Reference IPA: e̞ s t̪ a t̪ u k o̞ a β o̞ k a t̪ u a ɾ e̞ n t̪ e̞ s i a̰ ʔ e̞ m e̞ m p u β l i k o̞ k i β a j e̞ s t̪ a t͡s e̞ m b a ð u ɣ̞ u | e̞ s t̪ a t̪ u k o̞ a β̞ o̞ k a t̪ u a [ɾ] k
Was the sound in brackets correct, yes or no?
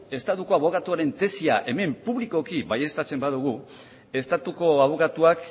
no